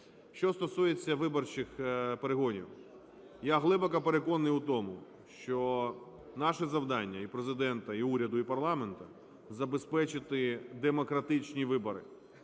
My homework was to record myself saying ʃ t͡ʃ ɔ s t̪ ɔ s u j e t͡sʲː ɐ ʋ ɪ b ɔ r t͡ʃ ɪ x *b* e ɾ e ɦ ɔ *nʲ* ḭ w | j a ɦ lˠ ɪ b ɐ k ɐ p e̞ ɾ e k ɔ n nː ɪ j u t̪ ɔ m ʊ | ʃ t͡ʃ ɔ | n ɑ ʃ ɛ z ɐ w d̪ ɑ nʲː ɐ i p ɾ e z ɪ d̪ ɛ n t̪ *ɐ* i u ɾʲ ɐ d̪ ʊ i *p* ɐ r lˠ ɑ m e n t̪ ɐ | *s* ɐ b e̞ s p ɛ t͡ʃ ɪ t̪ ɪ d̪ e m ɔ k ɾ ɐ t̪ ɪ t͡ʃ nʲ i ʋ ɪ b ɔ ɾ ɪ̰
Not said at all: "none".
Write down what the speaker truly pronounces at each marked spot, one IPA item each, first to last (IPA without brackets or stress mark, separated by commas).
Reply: p, nʲ, ɐ, p, z